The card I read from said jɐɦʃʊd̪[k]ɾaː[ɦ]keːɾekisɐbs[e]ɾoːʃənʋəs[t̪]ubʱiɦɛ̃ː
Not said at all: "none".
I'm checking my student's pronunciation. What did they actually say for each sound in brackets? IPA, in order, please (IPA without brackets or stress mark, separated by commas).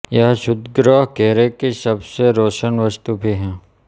ɡ, ɦ, e, t̪